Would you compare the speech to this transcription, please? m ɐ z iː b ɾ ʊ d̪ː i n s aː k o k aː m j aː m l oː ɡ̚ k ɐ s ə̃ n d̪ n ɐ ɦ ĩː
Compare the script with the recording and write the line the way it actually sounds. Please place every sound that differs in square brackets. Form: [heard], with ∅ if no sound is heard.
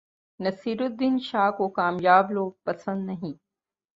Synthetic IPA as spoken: [n] ɐ [s] iː [∅] ɾ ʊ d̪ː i n [ʃ] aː k o k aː m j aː [b] l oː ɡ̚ [p] ɐ s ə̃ n d̪ n ɐ ɦ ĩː